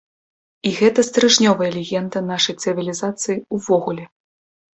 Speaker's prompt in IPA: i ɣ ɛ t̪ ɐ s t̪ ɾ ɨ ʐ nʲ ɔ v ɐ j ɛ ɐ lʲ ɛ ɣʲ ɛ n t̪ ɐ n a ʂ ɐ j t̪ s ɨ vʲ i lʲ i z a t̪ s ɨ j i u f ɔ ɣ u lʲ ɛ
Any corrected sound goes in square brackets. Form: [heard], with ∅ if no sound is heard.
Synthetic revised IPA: i ɣ ɛ t̪ ɐ s t̪ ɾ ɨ ʐ nʲ ɔ v ɐ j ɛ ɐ lʲ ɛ ɣʲ ɛ n [d̪] ɐ n a ʂ ɐ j t̪ s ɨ vʲ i lʲ i z a t̪ s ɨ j i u [v] ɔ ɣ u lʲ ɛ